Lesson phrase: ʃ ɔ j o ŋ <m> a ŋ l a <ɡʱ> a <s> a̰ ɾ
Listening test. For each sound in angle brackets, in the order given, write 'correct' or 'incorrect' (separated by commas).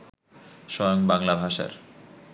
incorrect, incorrect, incorrect